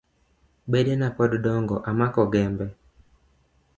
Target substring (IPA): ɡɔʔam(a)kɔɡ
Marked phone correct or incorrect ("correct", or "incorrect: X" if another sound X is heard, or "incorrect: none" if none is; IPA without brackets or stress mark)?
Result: correct